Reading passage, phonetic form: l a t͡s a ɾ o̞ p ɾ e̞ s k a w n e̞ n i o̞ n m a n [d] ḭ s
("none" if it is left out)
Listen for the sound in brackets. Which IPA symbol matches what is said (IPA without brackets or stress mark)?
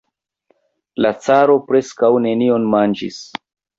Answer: d͡ʒ